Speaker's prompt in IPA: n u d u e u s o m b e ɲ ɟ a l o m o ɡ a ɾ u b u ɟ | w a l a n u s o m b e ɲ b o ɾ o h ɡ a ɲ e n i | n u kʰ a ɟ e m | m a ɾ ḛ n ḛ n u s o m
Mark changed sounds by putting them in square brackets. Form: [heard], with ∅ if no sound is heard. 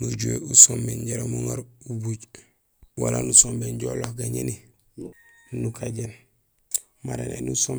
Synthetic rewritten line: n u [ɟ] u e u s o m b e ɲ ɟ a [ɾ] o m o [ŋ] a ɾ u b u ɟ | w a l a n u s o m b e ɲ [ɟ] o [l] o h ɡ a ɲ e n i | n u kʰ a ɟ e [n] | m a ɾ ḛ n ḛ n u s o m